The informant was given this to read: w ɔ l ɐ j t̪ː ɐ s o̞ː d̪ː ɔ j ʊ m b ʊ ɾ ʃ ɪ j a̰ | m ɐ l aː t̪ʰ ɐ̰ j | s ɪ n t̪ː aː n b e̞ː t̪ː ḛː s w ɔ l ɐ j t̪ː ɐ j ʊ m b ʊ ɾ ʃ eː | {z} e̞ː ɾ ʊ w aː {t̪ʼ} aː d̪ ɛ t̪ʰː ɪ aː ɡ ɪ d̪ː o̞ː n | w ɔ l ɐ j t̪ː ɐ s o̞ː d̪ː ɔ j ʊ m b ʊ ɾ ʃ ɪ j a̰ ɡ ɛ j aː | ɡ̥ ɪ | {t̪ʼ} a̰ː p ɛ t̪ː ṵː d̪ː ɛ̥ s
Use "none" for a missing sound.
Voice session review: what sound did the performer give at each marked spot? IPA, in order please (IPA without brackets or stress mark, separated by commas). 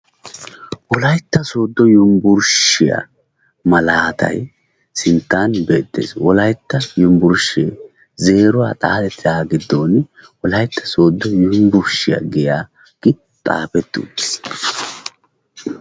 z, t̪ʼ, t̪ʼ